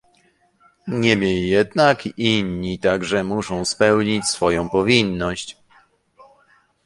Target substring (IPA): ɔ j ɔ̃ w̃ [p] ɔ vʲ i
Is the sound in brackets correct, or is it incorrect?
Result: correct